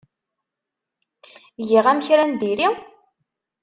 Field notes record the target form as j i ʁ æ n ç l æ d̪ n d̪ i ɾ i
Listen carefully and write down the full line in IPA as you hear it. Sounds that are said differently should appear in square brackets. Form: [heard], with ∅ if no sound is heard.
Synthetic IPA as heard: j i ʁ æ [m] ç [ɾ] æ [∅] n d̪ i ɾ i